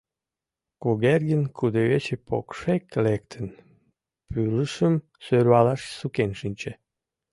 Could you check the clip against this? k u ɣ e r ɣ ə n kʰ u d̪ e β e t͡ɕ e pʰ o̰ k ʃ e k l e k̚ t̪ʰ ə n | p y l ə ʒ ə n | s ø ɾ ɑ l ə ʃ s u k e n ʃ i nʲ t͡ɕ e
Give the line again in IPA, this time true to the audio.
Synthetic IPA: k u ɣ e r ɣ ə n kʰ u d̪ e β e t͡ɕ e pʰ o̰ k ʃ e k l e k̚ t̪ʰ ə n | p y l ə ʃ ə m | s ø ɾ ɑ l ɑ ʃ s u k e n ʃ i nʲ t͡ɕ e